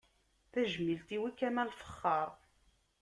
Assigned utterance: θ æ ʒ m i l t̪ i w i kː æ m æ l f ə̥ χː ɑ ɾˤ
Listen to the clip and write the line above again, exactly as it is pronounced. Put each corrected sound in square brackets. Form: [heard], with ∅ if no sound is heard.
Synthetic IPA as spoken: θ æ ʒ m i l t̪ i w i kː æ m æ l f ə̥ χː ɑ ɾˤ